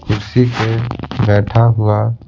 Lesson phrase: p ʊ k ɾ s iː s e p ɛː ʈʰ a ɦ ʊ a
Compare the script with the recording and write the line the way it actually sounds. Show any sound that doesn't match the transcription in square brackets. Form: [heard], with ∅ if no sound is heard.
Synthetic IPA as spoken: [k] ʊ [∅] ɾ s [i] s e [b] ɛː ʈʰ a ɦ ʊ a